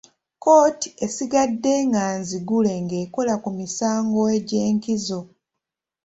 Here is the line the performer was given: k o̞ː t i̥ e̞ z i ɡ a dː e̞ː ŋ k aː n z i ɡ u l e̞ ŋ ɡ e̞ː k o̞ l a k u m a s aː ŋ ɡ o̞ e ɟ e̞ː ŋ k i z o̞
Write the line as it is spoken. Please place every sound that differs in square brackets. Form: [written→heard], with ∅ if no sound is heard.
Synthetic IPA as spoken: k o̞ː t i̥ e̞ [z→s] i ɡ a dː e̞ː ŋ [k→ɡ] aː n z i ɡ u l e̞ ŋ ɡ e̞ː k o̞ l a k u m [a→i] s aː ŋ ɡ o̞ e ɟ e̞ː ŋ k i z o̞